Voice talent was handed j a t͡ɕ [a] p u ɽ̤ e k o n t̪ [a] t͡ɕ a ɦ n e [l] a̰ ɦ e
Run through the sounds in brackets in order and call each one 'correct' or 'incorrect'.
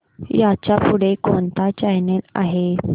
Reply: correct, correct, correct

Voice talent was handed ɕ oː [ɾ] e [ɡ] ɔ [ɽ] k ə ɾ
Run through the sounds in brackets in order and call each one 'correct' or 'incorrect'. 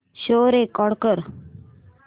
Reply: correct, incorrect: k, correct

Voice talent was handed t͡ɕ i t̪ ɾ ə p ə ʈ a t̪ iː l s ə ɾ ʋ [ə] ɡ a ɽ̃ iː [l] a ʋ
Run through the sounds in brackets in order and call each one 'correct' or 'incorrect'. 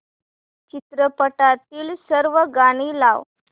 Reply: correct, correct

